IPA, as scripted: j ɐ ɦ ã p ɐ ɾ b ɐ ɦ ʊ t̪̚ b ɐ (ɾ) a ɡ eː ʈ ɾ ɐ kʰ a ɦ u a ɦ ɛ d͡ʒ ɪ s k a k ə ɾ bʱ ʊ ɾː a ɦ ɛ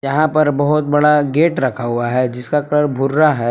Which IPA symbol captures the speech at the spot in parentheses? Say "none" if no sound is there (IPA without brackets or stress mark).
ɽ